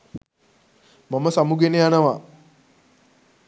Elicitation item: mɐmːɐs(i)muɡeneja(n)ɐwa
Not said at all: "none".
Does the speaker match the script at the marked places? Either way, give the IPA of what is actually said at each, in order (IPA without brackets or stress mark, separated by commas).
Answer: a, n